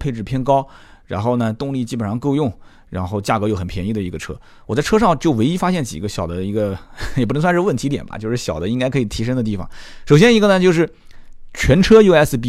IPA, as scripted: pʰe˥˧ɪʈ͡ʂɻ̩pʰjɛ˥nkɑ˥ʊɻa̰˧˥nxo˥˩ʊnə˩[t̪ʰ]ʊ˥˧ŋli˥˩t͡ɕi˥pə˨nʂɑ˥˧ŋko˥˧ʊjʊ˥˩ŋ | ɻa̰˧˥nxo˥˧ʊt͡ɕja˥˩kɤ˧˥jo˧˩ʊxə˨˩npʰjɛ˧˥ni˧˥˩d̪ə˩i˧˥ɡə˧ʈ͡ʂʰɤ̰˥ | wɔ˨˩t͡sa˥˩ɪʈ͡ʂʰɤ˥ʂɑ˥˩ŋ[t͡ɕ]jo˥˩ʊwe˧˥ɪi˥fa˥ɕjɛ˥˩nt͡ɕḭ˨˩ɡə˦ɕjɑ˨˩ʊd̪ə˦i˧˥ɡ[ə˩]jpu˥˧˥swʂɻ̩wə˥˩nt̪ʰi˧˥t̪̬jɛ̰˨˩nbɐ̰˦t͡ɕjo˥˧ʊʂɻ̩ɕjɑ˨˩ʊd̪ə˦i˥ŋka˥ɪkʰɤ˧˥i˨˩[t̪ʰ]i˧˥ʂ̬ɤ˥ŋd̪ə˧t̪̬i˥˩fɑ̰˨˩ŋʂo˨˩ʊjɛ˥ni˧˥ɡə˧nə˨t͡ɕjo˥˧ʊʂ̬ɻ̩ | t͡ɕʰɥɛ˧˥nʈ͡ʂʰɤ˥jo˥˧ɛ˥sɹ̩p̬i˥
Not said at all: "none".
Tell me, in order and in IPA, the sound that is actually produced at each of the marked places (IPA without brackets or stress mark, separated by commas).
t̪, t͡ɕ, ə˧, t̪ʰ